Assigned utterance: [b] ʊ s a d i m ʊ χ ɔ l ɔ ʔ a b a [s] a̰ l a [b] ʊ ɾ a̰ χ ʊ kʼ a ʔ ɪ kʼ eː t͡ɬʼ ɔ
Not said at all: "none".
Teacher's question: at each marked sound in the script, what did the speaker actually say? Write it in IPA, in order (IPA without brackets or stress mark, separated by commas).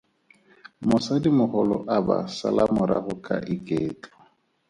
m, s, m